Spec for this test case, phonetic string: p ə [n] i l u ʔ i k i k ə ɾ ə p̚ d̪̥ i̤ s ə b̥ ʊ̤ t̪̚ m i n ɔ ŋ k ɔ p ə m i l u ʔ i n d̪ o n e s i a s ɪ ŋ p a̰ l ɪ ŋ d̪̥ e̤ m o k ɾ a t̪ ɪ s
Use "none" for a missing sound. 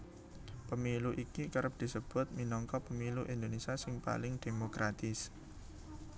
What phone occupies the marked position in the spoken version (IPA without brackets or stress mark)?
m